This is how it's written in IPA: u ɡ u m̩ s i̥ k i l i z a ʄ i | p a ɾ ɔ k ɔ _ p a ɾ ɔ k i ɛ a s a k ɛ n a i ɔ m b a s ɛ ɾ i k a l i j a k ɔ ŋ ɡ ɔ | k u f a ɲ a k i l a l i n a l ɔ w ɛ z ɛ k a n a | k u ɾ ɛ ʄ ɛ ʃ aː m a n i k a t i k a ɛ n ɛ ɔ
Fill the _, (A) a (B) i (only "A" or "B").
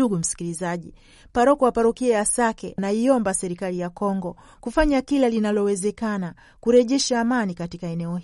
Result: A